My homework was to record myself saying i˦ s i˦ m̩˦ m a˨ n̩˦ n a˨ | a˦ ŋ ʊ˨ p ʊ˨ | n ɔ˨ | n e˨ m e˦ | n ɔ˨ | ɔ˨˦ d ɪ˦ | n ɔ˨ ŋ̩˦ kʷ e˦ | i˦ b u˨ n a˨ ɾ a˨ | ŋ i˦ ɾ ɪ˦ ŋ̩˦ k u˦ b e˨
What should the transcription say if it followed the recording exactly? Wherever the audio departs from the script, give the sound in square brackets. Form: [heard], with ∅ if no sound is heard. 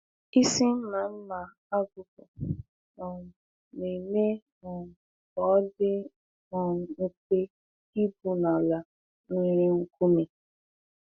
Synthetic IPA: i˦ s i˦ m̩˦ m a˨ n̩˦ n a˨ | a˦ [ɡ] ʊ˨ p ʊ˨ | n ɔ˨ | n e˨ m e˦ | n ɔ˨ | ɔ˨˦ d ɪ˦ | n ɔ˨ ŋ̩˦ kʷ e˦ | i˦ b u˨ n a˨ [l] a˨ | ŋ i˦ ɾ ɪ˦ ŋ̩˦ k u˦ [m] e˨